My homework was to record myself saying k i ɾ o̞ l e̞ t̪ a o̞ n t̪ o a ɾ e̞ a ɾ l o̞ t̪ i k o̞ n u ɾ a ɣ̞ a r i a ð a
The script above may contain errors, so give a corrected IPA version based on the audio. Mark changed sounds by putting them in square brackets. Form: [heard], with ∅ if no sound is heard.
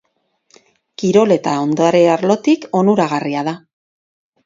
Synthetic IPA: k i ɾ o̞ l e̞ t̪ a o̞ n [d̪] o a ɾ e̞ a ɾ l o̞ t̪ i k o̞ n u ɾ a ɣ̞ a r i a ð a

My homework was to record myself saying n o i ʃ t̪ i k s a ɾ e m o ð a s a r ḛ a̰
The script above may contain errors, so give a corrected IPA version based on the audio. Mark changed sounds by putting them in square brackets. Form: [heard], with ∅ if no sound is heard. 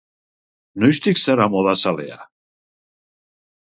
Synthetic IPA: n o [j] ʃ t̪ i k s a ɾ [a] m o ð a s a [l] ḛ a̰

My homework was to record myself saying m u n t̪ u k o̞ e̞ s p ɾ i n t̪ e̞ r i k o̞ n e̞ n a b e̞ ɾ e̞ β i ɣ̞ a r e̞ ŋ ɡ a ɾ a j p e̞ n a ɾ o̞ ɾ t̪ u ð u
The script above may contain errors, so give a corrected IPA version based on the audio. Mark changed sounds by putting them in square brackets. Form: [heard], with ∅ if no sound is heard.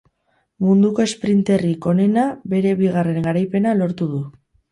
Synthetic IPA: m u n [d̪] u k o̞ e̞ s p ɾ i n t̪ e̞ r i k o̞ n e̞ n a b e̞ ɾ e̞ β i ɣ̞ a r e̞ ŋ ɡ a ɾ a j p e̞ n a [l] o̞ ɾ t̪ u ð u

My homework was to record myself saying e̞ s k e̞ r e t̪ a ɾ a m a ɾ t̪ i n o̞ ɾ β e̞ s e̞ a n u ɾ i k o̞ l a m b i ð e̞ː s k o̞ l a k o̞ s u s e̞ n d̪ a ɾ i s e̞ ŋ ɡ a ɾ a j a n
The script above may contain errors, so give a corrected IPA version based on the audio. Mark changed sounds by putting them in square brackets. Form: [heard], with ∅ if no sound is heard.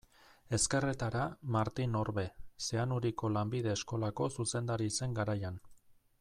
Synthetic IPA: e̞ s k e̞ r e t̪ a ɾ a m a ɾ t̪ i n o̞ ɾ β e̞ s e̞ a n u ɾ i k o̞ l a m b i ð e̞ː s k o̞ l a k o̞ s u s e̞ n d̪ a ɾ i s e̞ ŋ ɡ a ɾ a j a n

